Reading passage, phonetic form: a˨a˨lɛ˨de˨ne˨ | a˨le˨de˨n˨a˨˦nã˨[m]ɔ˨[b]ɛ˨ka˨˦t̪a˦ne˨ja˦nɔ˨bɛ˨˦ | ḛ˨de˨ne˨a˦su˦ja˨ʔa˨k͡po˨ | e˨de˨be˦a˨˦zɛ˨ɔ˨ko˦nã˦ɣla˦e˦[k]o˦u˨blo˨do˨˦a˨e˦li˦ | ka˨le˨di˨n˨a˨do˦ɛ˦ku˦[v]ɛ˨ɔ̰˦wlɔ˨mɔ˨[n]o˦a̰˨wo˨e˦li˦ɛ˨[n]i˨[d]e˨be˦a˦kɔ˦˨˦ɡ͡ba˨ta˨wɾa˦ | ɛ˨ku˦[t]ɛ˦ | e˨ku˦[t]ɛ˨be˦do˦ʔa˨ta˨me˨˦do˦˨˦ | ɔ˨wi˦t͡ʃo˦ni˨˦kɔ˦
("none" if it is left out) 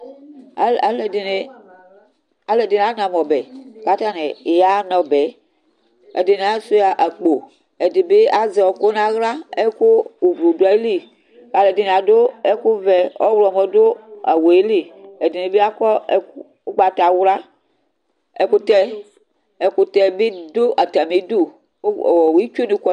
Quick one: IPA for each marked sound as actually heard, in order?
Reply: m, b, k, v, d, d, n, t, t

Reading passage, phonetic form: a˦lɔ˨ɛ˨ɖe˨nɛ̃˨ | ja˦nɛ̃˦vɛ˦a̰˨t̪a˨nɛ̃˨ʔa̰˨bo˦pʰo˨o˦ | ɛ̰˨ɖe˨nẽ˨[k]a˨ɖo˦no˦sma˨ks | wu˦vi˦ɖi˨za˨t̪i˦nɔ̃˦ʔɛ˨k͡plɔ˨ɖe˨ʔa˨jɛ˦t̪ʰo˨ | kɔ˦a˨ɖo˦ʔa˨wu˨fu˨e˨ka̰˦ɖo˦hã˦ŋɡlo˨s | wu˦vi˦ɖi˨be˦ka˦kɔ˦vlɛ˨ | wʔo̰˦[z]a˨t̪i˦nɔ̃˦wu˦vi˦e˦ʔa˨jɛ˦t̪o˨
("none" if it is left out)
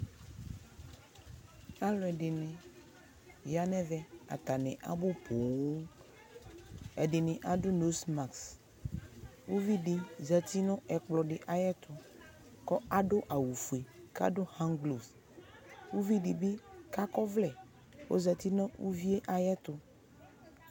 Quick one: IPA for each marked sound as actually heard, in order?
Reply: ʔ, z

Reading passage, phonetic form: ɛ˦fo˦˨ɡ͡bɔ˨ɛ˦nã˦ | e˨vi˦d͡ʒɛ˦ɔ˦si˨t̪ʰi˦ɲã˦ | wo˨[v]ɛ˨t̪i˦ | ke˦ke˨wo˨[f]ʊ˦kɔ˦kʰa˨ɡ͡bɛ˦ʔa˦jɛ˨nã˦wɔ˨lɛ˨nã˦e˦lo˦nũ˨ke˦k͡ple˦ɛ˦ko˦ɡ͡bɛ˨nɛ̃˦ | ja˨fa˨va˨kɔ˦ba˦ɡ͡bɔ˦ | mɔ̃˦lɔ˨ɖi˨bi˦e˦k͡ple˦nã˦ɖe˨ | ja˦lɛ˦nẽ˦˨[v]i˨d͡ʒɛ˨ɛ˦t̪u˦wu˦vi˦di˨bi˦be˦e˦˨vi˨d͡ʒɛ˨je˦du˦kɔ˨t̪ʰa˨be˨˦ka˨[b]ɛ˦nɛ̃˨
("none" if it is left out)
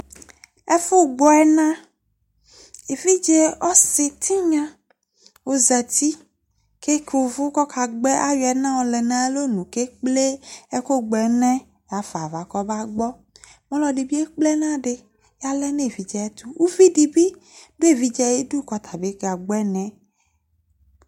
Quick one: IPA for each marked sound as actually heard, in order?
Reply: z, v, v, ɡ͡b

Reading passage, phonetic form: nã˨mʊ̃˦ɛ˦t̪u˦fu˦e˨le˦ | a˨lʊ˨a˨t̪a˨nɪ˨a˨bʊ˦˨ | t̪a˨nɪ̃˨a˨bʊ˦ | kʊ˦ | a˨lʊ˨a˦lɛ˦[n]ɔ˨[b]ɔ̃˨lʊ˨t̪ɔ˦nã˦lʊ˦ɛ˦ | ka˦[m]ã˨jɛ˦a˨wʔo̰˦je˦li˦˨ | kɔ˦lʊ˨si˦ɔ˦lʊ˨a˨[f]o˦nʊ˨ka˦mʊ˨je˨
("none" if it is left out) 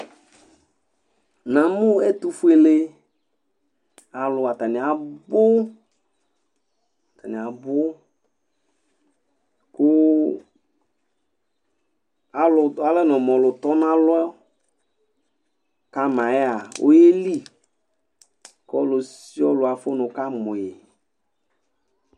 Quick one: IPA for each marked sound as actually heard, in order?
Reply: n, m, m, f

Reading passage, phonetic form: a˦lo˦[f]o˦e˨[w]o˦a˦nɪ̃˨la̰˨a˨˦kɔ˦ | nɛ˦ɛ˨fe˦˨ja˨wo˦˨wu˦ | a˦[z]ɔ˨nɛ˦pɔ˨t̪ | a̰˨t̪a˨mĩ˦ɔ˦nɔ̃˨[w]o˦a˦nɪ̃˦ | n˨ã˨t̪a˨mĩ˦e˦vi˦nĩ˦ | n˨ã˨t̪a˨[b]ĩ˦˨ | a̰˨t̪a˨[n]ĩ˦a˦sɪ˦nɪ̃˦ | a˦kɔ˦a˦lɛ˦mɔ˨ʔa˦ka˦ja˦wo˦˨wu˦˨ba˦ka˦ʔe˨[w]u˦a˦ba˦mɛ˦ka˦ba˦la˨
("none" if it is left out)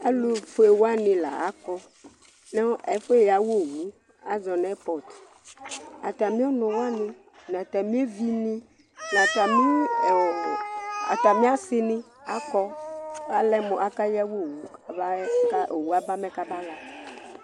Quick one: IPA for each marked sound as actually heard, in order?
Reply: f, w, z, w, m, m, w

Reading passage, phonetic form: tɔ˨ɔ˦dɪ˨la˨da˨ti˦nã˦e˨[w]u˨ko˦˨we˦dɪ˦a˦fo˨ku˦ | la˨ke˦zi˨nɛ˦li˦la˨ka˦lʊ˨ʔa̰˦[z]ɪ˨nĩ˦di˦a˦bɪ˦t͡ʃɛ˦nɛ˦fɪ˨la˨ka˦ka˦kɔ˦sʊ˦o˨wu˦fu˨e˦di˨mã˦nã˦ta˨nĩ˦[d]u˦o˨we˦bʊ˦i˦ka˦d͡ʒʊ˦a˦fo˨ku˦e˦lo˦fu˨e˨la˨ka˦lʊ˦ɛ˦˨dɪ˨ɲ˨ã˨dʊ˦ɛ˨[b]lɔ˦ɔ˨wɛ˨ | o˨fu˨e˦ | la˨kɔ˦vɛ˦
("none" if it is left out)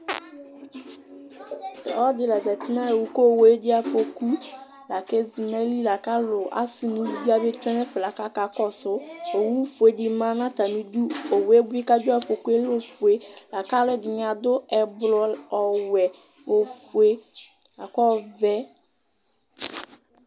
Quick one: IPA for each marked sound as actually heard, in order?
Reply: w, s, d, b

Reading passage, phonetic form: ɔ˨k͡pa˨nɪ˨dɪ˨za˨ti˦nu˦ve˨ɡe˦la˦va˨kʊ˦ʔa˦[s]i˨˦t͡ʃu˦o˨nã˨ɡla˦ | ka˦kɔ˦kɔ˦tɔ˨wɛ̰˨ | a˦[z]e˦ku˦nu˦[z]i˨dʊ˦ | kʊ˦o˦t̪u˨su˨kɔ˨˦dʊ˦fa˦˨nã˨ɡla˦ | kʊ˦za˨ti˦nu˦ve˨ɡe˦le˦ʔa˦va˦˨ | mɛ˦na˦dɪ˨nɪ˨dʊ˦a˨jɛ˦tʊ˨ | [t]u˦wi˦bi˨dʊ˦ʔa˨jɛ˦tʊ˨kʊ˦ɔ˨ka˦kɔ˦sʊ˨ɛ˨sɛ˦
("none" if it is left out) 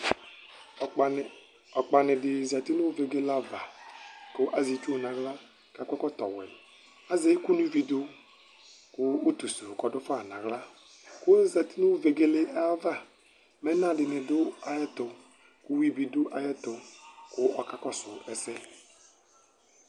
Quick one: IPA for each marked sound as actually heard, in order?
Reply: z, z, v, k

